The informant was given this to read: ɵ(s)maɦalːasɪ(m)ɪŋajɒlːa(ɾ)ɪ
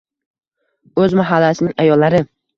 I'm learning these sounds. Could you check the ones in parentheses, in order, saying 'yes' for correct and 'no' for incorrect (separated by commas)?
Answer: no, no, yes